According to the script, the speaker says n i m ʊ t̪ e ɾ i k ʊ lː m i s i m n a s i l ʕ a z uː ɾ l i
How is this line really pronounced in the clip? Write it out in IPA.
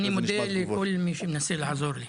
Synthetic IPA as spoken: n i m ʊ d̪ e l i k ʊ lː m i ʃ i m n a s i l ʕ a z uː ɾ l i